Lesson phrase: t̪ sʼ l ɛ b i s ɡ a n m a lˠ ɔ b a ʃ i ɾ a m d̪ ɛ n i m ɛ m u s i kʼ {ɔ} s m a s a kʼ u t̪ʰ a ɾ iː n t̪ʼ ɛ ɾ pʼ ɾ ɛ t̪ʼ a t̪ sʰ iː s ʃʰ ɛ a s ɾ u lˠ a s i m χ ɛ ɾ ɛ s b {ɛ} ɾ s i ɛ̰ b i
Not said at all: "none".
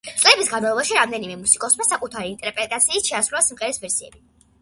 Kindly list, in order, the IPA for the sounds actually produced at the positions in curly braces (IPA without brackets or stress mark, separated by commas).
ɔ, ɛ